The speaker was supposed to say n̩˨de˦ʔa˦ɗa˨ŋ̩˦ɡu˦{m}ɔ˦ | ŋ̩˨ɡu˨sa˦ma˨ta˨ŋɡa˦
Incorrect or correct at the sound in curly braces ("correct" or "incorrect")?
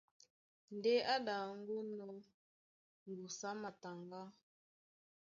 incorrect